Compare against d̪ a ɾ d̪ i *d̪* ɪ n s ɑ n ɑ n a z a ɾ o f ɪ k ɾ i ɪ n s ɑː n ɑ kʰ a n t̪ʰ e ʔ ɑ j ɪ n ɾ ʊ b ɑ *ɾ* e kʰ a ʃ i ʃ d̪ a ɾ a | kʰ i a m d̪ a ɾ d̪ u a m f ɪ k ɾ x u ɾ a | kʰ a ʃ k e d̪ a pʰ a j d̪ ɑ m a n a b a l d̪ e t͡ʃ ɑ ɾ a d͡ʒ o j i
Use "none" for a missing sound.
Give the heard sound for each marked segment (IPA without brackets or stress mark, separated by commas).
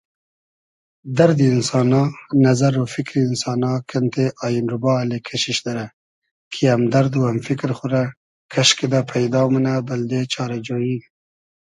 none, l